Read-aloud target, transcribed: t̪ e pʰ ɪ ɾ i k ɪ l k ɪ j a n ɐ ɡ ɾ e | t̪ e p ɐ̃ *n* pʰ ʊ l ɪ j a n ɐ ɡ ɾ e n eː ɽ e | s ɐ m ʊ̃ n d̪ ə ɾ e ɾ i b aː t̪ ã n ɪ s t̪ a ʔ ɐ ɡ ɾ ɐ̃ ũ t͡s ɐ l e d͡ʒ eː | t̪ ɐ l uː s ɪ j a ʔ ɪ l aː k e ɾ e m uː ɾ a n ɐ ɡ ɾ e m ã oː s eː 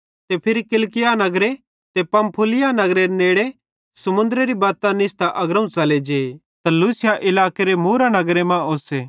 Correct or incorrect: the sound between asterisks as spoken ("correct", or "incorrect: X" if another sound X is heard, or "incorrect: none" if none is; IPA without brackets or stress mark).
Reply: incorrect: m